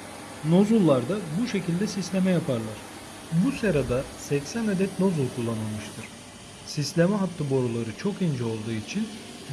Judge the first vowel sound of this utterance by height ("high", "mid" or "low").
mid